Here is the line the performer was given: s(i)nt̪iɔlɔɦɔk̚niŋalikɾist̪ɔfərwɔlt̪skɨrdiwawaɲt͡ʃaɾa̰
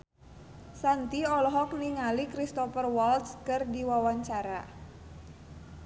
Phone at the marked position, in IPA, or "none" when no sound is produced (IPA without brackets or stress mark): a